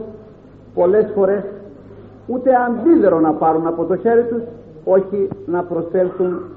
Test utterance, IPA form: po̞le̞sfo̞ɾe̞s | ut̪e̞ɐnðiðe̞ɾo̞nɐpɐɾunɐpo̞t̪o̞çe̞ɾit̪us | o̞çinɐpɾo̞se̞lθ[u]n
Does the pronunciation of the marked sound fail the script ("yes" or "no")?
no